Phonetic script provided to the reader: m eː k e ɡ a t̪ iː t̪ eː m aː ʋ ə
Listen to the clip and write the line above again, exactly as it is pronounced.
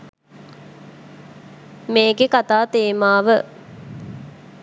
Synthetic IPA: m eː ɡ e k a t̪ aː t̪ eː m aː ʋ ə